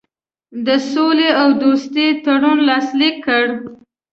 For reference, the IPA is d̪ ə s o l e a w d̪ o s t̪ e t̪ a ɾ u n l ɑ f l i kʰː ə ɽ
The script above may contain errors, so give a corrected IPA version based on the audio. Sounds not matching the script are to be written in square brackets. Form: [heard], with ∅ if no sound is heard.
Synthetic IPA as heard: d̪ ə s o l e a w d̪ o s t̪ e t̪ a [ɽ] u n l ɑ [s] l i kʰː ə ɽ